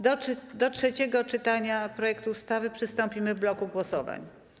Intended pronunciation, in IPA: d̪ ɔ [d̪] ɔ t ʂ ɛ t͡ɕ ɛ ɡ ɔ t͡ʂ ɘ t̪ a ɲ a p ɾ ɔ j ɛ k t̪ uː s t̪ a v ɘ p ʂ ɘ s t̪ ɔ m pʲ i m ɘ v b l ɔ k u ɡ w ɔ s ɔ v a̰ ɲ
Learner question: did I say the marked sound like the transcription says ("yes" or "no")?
yes